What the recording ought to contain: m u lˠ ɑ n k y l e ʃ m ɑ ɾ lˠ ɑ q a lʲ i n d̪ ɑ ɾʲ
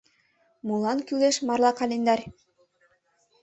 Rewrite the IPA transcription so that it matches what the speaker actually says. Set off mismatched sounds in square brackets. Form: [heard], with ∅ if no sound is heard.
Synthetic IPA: m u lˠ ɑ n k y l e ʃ m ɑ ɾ lˠ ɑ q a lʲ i n d̪ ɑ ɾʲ